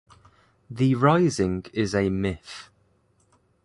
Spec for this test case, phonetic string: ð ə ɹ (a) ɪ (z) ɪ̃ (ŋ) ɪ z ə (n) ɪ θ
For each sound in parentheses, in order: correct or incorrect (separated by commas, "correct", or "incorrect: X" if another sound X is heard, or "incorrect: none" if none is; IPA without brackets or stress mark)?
correct, correct, correct, incorrect: m